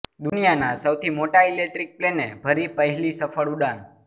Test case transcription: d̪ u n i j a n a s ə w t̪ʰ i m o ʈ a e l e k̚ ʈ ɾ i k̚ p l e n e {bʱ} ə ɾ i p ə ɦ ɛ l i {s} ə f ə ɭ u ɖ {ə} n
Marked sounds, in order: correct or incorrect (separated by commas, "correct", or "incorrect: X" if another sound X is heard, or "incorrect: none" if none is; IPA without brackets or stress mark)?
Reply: correct, correct, incorrect: a